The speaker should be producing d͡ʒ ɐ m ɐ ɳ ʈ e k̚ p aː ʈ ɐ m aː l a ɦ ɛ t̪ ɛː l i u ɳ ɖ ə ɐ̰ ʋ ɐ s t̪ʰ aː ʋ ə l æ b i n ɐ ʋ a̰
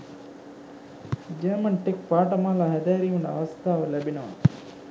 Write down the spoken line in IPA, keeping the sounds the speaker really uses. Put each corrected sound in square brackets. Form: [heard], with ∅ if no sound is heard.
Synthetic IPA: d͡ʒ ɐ m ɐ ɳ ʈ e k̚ p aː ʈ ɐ m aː l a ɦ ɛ [d̪] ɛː [ɾ] i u ɳ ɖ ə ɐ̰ ʋ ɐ s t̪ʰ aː ʋ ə l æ b i n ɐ ʋ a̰